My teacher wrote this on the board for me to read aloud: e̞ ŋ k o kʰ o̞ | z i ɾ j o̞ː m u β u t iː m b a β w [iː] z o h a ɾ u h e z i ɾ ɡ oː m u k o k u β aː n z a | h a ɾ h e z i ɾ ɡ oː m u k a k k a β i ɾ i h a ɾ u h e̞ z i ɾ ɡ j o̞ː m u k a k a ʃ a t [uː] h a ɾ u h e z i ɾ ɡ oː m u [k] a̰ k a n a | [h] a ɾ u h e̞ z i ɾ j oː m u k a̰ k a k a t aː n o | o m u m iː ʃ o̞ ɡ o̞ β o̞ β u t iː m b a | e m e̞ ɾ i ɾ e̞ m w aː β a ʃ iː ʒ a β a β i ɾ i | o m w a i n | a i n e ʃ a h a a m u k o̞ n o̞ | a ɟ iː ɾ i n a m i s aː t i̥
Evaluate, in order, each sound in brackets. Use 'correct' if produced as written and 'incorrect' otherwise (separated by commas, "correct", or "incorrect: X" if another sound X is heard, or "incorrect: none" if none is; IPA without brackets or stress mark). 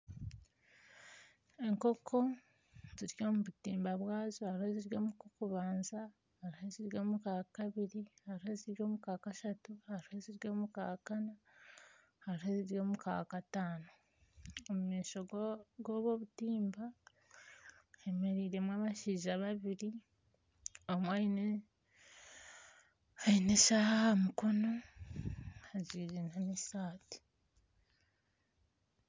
incorrect: aː, incorrect: u, correct, correct